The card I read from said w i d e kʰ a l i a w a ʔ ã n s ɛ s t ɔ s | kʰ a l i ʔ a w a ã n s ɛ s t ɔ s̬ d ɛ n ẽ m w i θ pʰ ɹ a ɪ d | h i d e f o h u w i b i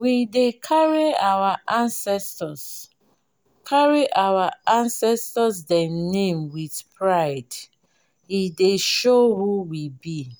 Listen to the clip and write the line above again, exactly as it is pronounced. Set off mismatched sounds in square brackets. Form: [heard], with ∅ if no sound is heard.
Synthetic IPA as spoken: w i d e kʰ a [ɹ] i a w a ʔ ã n s ɛ s t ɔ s | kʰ a [ɹ] i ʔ a w a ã n s ɛ s t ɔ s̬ d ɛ n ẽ m w i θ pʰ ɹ a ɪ d | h i d e [ʃ] o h u w i b i